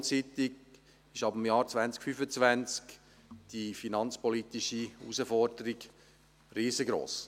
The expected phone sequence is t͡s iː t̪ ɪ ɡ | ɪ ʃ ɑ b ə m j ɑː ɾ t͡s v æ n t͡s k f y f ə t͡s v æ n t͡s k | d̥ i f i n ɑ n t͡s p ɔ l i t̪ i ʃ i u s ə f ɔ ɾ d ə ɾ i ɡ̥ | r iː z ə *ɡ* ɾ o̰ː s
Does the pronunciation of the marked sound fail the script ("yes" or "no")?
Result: no